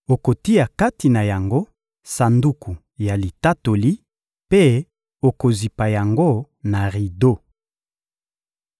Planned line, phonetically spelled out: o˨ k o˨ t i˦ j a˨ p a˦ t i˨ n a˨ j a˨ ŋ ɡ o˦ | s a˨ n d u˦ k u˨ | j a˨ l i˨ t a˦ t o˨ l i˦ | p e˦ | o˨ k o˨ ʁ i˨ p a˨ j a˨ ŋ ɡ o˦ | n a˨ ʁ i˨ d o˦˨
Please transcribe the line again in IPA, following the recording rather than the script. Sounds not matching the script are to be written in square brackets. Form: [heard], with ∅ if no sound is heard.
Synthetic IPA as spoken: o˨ k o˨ t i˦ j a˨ [k] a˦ t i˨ n a˨ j a˨ ŋ ɡ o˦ | s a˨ n d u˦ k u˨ | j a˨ l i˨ t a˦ t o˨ l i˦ | p e˦ | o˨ k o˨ [z] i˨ p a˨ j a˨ ŋ ɡ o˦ | n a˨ ʁ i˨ d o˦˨